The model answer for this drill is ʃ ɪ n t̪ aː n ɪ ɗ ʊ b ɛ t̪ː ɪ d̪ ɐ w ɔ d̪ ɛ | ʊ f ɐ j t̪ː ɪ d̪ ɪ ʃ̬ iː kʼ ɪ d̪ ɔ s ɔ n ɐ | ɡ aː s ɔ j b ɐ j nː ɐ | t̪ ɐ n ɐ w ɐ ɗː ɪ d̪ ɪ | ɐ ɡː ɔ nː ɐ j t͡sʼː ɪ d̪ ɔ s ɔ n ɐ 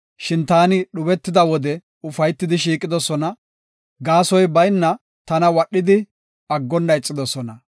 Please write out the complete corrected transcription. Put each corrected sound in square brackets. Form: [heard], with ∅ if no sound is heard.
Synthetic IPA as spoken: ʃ ɪ n t̪ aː n ɪ ɗ ʊ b ɛ t̪ː ɪ d̪ ɐ w ɔ d̪ ɛ | ʊ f ɐ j t̪ː ɪ d̪ ɪ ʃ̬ iː kʼ ɪ d̪ ɔ s ɔ n ɐ | ɡ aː s ɔ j b ɐ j nː ɐ | t̪ ɐ n ɐ w ɐ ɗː ɪ d̪ ɪ | ɐ ɡː ɔ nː ɐ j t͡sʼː ɪ d̪ ɔ s ɔ n ɐ